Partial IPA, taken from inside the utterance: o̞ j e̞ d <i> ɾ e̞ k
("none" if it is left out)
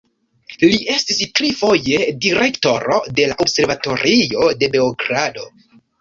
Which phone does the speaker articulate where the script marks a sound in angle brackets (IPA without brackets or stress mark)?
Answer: i